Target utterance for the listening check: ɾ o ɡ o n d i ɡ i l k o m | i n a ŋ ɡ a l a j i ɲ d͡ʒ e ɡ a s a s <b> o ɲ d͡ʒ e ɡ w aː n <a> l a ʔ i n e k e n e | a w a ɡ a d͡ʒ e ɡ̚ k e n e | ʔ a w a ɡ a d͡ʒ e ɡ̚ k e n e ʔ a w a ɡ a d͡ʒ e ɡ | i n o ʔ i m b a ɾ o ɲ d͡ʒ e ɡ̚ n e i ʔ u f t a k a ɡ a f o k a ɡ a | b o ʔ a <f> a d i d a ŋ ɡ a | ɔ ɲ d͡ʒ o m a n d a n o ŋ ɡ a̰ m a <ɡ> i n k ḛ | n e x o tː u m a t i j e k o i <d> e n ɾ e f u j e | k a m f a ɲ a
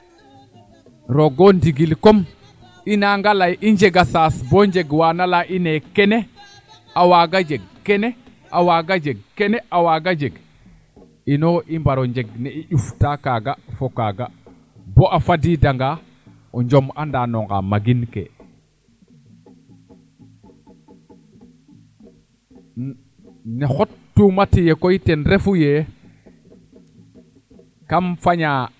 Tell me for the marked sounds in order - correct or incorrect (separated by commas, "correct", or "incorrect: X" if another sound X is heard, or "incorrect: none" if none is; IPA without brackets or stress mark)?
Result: correct, correct, correct, correct, incorrect: t